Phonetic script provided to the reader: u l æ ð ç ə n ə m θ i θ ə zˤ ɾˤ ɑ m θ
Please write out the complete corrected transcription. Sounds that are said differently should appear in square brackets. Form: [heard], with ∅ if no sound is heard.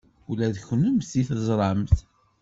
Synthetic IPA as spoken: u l æ ð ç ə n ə m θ i θ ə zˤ ɾˤ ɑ m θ

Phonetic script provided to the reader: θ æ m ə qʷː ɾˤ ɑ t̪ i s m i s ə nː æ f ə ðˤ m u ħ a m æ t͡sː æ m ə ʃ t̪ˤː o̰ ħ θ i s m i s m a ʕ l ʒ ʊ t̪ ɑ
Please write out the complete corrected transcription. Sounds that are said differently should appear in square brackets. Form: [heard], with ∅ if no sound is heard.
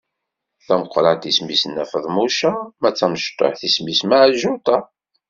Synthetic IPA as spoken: θ æ m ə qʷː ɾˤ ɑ t̪ i s m i s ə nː æ f ə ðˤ m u [ʃ] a m æ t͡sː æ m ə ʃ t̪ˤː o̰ ħ θ i s m i s m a ʕ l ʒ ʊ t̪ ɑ

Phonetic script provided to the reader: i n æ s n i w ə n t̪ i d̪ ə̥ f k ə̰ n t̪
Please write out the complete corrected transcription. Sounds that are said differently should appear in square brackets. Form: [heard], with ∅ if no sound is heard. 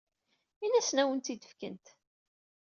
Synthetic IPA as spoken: i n æ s n [æ] w ə n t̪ i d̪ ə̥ f k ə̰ n t̪

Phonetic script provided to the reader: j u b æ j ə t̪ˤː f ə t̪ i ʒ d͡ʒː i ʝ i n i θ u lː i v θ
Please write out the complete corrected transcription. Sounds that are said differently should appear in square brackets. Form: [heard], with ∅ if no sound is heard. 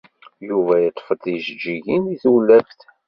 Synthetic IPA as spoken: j u [v] æ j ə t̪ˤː f ə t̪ i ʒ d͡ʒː i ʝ i n i θ u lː [æ] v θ

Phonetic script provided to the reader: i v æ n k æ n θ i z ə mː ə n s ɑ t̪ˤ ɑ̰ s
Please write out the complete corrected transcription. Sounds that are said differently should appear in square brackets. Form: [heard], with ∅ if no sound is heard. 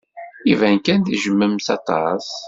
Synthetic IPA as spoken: i v æ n k æ n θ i [ʒ] ə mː ə [m] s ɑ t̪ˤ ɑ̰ s

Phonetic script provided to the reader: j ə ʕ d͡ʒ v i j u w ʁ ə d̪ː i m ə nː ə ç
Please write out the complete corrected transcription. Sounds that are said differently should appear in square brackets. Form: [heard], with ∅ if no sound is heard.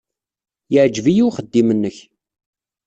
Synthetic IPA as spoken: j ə ʕ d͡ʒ v i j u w [χ] ə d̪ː i m ə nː ə ç

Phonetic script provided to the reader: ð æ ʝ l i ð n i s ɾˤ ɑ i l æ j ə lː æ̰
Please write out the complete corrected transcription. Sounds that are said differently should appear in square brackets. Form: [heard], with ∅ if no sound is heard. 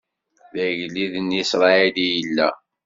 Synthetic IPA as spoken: ð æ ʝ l i ð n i s ɾˤ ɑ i l [i] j ə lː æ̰

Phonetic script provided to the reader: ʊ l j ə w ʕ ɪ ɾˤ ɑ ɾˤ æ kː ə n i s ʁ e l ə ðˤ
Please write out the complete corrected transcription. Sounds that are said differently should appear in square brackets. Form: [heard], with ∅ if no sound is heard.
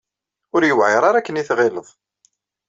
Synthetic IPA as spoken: ʊ [ɾ] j ə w ʕ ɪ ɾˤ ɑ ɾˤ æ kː ə n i [θ] ʁ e l ə ðˤ

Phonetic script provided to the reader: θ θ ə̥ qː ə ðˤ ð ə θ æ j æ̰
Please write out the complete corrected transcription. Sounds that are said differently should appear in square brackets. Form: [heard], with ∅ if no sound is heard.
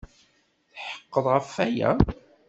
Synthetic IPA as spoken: θ [ħ] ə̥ qː ə ðˤ [ʁ] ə [f] æ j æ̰

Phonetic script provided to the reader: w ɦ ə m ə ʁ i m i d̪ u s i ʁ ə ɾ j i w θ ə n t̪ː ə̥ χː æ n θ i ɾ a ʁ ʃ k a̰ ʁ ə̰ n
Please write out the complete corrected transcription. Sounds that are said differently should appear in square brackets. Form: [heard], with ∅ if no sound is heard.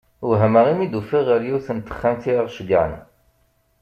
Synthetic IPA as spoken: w ɦ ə m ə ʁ i m i d̪ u [f] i ʁ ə ɾ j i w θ ə n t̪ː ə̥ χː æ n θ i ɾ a ʁ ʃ [ɡ] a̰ [ʕ] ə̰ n

